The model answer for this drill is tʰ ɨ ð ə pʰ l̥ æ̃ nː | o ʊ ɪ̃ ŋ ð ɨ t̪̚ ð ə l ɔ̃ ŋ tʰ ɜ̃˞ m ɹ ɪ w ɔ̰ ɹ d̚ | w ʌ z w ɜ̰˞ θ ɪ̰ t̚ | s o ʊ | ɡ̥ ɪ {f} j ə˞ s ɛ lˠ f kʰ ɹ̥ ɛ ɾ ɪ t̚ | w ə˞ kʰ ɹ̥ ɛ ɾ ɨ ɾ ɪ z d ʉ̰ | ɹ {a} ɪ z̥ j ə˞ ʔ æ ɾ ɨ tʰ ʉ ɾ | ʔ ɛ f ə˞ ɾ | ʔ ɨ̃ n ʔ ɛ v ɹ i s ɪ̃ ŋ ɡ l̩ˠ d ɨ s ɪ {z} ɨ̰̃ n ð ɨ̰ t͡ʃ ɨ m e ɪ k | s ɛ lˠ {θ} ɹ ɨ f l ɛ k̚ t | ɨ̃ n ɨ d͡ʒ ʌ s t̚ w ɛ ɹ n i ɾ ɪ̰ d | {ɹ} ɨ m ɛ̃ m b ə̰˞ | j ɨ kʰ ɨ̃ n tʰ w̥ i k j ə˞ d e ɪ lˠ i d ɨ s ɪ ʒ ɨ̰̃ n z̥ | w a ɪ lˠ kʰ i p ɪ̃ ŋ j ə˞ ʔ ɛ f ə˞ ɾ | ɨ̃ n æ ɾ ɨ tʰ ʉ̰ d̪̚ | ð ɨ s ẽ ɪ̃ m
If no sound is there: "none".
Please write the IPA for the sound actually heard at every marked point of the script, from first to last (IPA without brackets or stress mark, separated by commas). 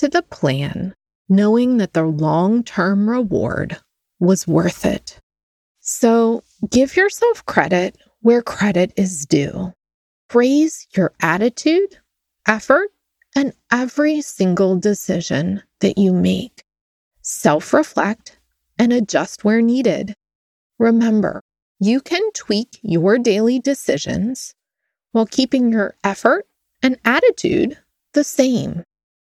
v, e, ʒ, f, ɹ